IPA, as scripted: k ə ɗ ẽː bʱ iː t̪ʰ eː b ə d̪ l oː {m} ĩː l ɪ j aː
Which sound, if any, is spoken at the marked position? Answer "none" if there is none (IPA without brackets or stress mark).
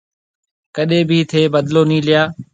n